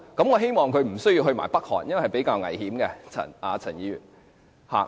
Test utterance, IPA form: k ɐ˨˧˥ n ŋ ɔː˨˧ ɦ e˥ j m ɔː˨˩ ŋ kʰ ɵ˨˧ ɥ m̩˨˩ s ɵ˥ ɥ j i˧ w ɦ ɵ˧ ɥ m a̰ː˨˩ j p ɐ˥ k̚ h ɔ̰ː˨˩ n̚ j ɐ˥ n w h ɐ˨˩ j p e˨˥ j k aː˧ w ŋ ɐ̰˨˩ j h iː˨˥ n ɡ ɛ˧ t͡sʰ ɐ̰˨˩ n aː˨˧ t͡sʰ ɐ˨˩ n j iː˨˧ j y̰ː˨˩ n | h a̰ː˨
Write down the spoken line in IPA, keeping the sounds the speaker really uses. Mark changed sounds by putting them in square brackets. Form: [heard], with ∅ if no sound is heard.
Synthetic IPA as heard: k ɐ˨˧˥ [m] ŋ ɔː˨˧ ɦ e˥ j m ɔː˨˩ ŋ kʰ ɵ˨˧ ɥ m̩˨˩ s ɵ˥ ɥ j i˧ w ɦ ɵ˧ ɥ m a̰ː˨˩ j p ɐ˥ k̚ h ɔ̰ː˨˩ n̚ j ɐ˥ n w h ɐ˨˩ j p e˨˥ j k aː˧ w ŋ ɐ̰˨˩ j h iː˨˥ [m] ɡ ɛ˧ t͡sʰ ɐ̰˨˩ n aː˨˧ t͡sʰ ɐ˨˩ n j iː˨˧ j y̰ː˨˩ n | h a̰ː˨